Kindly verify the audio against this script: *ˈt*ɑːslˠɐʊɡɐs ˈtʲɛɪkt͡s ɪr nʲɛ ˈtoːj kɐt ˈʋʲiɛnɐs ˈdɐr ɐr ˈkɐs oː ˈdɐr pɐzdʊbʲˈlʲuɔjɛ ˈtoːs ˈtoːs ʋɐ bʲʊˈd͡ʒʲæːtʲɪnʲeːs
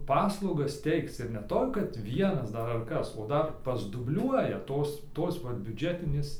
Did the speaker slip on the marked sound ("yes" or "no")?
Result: yes